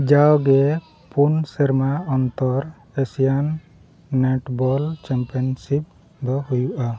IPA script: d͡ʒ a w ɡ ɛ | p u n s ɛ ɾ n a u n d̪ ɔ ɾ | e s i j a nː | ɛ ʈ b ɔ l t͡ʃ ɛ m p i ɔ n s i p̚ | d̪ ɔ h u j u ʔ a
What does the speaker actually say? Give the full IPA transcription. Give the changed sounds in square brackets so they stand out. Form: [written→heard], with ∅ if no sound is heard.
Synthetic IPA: d͡ʒ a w ɡ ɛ | p u n s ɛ ɾ [n→m] a [u→ɔ] n [d̪→t̪] ɔ ɾ | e s i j a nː | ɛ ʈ b ɔ l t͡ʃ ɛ m p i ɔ n s i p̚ | d̪ ɔ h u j u ʔ a

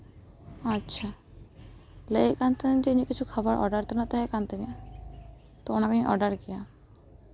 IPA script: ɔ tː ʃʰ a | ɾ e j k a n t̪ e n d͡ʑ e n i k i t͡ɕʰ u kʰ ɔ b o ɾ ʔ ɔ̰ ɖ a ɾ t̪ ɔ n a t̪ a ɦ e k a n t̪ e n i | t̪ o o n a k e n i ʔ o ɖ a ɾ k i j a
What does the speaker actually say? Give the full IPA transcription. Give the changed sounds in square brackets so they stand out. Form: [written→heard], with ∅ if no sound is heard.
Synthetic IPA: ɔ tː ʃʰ a | [ɾ→l] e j k a n t̪ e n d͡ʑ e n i k i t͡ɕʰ u kʰ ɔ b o ɾ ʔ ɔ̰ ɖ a ɾ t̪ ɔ n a t̪ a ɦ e k a n t̪ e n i | t̪ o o n a k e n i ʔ [o→ɔ] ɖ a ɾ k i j a

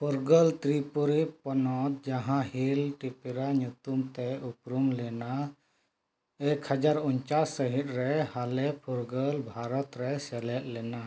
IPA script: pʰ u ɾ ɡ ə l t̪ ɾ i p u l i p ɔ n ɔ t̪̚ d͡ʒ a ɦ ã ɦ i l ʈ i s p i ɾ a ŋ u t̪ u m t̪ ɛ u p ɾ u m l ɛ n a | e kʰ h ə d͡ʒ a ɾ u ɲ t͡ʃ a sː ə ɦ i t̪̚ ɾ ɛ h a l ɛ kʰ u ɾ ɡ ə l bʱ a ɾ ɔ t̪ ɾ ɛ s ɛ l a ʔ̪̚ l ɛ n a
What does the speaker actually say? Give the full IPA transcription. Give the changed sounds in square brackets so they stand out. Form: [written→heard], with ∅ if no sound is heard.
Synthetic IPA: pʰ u ɾ ɡ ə l t̪ ɾ i p u [l→ɾ] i p ɔ n ɔ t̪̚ d͡ʒ a ɦ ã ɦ i l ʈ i [s→∅] p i ɾ a [ŋ→ɲ] u t̪ u m t̪ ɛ u p ɾ u m l ɛ n a | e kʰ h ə d͡ʒ a ɾ u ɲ t͡ʃ a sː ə ɦ i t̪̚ ɾ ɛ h a l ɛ [kʰ→pʰ] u ɾ ɡ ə l bʱ a ɾ ɔ t̪ ɾ ɛ s ɛ l [a→ɛ] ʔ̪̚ l ɛ n a

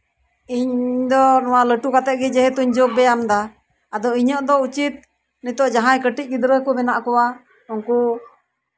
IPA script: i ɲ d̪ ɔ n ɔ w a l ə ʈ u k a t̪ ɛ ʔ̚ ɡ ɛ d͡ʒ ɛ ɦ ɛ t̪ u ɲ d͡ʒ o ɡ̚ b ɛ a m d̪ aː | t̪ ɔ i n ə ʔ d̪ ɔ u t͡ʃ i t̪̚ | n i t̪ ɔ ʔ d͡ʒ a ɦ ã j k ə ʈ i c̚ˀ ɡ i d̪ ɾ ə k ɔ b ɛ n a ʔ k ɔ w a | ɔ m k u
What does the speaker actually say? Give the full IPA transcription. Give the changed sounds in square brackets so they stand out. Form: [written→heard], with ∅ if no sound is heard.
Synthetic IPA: i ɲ d̪ ɔ n ɔ w a l ə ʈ u k a t̪ ɛ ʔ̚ ɡ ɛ d͡ʒ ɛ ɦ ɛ t̪ u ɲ d͡ʒ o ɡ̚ b ɛ a m d̪ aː | [t̪→d̪] ɔ i [n→ɲ] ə ʔ d̪ ɔ u t͡ʃ i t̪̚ | n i t̪ ɔ ʔ d͡ʒ a ɦ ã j k ə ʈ i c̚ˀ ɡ i d̪ ɾ ə k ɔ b ɛ n a ʔ k ɔ w a | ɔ [m→ŋ] k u

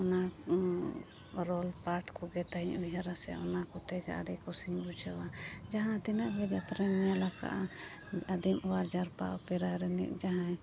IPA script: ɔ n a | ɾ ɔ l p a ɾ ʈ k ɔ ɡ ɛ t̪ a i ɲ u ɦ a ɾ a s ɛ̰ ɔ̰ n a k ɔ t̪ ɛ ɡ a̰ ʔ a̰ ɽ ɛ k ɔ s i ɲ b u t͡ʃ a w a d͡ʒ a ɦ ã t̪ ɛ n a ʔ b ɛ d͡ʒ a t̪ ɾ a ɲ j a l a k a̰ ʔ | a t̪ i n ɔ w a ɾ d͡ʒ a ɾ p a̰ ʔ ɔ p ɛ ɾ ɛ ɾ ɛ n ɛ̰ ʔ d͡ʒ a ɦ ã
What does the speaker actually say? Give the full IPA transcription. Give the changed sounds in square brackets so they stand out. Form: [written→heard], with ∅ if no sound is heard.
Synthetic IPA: ɔ n a | ɾ ɔ l p a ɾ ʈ k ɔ ɡ ɛ t̪ a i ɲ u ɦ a ɾ a s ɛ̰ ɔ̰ n a k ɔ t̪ ɛ ɡ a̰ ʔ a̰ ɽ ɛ k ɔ s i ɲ b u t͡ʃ a w a d͡ʒ a ɦ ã t̪ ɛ n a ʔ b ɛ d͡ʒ a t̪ ɾ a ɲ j a l a k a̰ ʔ | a [t̪→d̪] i [n→m] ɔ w a ɾ d͡ʒ a ɾ p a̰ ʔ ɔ p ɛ ɾ [ɛ→a] ɾ ɛ n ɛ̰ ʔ d͡ʒ a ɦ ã

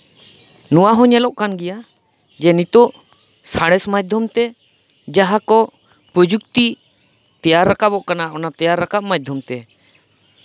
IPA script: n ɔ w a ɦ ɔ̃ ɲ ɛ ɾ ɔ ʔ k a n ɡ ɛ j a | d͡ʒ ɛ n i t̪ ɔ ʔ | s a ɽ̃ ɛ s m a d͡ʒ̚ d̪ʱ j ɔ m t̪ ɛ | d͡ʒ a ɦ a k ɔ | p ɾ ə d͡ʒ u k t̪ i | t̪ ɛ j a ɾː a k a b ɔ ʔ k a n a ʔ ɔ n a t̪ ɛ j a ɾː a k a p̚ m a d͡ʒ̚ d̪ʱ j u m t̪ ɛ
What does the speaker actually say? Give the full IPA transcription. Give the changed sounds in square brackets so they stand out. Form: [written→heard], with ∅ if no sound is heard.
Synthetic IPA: n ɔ w a ɦ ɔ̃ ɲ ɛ [ɾ→l] ɔ ʔ k a n ɡ ɛ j a | d͡ʒ ɛ n i t̪ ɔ ʔ | s a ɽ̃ ɛ s m a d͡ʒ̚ d̪ʱ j ɔ m t̪ ɛ | d͡ʒ a ɦ a k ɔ | p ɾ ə d͡ʒ u k t̪ i | t̪ ɛ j a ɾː a k a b ɔ ʔ k a n a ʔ ɔ n a t̪ ɛ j a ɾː a k a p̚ m a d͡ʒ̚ d̪ʱ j [u→ɔ] m t̪ ɛ

